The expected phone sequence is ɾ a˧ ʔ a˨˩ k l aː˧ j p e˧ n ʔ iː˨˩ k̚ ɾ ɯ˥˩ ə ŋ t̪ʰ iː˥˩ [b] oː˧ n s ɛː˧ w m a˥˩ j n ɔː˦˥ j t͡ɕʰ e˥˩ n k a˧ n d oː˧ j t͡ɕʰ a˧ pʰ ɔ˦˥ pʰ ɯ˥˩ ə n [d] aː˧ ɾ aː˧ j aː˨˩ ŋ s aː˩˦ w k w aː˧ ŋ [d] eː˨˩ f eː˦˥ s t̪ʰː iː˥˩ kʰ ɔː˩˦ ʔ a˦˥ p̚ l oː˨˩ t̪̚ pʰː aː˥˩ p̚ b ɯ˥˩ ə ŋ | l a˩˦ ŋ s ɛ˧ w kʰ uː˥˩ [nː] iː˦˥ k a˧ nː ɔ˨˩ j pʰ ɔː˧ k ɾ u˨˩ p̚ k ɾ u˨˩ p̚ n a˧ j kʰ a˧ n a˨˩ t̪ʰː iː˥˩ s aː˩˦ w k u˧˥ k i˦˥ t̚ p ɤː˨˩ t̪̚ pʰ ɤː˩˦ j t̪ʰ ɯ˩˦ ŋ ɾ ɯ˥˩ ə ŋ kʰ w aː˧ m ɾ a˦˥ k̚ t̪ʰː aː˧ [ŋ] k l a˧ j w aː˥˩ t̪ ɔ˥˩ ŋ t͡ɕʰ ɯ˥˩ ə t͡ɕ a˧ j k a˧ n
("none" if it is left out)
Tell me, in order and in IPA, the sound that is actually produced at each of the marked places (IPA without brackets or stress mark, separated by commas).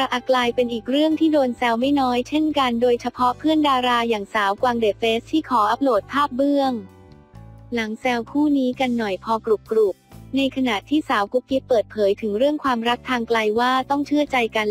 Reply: d, d, d, n, ŋ